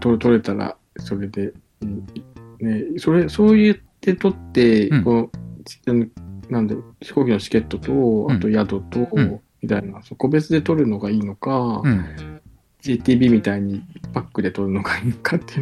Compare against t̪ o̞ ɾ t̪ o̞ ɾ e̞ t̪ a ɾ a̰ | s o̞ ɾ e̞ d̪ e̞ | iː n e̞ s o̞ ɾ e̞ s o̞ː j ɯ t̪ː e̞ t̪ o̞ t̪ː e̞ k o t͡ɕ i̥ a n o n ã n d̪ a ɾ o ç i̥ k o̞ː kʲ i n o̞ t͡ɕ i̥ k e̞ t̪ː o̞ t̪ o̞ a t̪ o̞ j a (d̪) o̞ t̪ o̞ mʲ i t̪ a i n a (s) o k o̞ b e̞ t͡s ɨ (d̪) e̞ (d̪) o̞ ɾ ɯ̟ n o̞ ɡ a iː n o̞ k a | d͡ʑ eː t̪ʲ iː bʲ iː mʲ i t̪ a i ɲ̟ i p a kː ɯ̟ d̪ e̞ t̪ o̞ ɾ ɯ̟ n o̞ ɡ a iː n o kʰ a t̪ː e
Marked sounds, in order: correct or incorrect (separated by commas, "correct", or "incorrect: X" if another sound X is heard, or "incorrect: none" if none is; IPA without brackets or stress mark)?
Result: correct, correct, correct, incorrect: t̪